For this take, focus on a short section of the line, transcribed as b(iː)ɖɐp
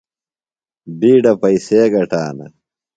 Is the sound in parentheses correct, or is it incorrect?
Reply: correct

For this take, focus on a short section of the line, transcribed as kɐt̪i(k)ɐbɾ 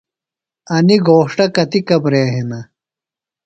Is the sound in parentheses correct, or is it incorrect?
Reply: correct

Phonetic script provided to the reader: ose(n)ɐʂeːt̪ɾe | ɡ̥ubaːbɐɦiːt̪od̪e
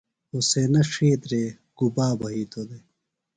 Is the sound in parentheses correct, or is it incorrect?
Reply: correct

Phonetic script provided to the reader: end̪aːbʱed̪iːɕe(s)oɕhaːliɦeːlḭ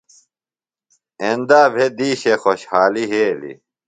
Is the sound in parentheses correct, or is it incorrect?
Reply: incorrect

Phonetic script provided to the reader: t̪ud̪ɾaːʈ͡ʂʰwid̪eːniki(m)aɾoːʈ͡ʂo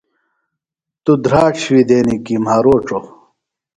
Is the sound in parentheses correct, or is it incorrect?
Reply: correct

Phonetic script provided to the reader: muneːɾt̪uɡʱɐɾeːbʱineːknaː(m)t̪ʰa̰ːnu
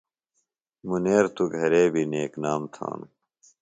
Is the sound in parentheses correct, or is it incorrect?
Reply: correct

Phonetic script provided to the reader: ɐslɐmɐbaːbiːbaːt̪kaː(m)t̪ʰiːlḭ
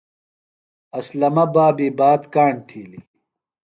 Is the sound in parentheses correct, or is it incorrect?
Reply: incorrect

